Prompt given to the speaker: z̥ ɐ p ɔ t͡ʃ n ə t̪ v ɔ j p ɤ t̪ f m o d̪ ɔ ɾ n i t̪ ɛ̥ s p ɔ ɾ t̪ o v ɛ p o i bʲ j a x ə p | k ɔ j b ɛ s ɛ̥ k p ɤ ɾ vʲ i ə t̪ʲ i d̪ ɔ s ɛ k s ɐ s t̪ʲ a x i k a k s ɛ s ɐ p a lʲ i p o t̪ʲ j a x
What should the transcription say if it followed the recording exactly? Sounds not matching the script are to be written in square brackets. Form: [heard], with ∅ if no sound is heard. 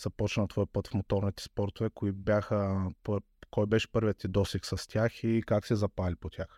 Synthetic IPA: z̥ ɐ p ɔ t͡ʃ n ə t̪ v ɔ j p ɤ t̪ f m o [t̪] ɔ ɾ n i t̪ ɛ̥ s p ɔ ɾ t̪ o v ɛ [k] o i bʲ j a x ə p | k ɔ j b ɛ [ʃ] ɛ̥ [∅] p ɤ ɾ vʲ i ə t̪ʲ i d̪ ɔ s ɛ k s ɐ s t̪ʲ a x i k a k s ɛ [z] ɐ p a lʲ i p o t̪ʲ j a x